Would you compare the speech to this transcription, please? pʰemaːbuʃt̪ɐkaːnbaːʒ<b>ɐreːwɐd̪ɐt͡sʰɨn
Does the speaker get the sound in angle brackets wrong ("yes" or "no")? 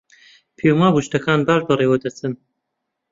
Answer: no